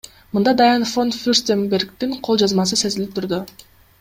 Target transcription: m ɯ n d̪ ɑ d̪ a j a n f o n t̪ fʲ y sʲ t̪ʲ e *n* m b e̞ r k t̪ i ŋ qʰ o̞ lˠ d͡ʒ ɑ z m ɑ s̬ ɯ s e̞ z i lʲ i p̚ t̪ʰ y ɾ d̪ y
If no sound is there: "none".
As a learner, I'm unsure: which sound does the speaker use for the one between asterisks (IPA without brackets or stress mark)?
none